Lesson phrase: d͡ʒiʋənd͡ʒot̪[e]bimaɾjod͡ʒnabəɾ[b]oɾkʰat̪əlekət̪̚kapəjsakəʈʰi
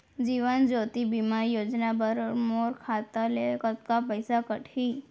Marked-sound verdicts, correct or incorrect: incorrect: i, incorrect: m

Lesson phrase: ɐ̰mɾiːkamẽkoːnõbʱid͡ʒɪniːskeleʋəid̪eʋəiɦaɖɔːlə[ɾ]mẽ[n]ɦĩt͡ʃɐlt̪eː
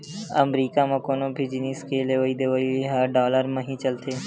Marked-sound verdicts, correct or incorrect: correct, incorrect: none

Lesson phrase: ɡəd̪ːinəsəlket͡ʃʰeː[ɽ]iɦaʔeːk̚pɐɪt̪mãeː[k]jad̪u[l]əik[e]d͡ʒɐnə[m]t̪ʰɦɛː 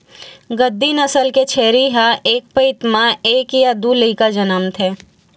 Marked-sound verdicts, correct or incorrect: incorrect: ɾ, correct, correct, incorrect: a, correct

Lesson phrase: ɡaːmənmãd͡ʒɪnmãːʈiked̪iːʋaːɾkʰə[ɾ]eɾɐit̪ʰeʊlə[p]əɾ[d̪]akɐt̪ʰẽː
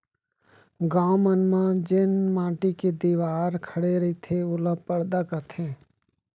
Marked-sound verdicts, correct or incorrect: incorrect: ɽ, correct, correct

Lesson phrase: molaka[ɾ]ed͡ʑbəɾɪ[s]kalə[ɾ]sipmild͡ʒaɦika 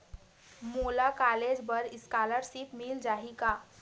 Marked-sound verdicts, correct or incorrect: incorrect: l, correct, correct

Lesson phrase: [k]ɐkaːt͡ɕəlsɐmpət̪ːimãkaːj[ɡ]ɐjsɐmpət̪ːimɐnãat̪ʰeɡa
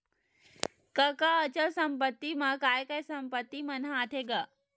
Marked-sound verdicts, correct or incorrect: correct, incorrect: k

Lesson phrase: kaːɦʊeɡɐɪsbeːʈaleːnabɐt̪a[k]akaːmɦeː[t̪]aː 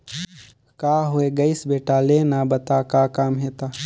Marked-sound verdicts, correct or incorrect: correct, correct

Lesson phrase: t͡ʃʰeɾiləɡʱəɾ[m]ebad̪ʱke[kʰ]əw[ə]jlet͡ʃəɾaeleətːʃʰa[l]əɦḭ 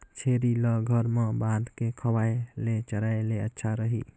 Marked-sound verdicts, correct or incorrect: correct, correct, incorrect: a, incorrect: ɾ

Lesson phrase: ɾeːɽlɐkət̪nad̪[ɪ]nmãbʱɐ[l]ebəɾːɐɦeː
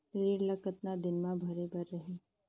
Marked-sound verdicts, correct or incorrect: correct, incorrect: ɾ

